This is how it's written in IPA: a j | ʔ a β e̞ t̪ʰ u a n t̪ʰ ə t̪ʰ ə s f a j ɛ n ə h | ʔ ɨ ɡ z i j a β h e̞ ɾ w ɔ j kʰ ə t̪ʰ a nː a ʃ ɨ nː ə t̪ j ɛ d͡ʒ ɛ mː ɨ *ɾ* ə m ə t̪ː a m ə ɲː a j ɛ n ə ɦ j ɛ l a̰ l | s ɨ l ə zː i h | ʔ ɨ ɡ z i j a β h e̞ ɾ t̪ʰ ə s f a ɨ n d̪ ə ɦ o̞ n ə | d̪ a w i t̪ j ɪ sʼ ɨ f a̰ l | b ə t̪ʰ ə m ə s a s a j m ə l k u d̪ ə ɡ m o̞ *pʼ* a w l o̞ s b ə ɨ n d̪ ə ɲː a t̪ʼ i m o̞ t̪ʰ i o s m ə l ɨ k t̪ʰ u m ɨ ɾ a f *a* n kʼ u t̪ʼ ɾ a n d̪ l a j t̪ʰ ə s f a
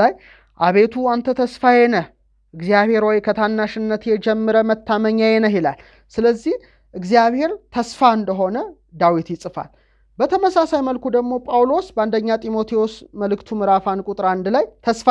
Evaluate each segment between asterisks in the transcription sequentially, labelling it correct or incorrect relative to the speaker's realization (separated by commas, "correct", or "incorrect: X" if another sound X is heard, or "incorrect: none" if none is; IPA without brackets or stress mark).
correct, correct, correct